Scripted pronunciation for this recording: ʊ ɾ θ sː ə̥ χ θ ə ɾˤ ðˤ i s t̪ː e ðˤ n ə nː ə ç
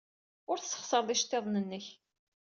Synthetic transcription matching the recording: ʊ ɾ θ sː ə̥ χ s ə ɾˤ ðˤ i ʃ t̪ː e ðˤ n ə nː ə ç

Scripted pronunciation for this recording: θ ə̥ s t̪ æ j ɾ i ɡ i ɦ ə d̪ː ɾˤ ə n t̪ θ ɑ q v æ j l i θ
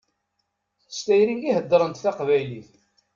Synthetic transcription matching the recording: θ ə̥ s t̪ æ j ɾ i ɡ i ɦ ə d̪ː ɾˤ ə n t̪ θ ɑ q v æ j l i θ

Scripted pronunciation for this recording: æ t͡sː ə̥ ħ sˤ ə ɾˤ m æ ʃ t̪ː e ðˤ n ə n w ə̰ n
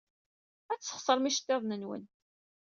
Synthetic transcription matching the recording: æ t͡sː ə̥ χ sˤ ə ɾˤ m i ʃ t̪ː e ðˤ n ə n w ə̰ n

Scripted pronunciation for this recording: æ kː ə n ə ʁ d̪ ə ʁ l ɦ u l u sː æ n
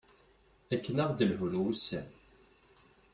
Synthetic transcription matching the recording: æ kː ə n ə ʁ d̪ ə l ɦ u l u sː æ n

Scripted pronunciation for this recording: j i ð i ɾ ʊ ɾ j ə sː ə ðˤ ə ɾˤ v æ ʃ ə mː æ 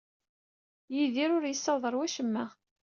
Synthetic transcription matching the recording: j i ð i ɾ ʊ ɾ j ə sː ɑ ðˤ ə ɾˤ w æ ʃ ə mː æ

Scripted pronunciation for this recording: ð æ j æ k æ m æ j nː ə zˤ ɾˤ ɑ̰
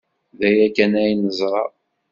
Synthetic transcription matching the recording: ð æ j æ k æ n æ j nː ə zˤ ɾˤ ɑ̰

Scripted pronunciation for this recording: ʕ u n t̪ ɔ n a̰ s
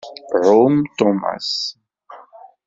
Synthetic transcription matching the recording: ʕ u m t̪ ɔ m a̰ s

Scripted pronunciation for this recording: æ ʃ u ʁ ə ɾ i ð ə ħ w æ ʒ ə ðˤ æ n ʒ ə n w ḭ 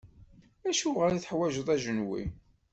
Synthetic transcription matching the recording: æ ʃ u ʁ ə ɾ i θ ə ħ w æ ʒ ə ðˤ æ ʒ ə n w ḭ

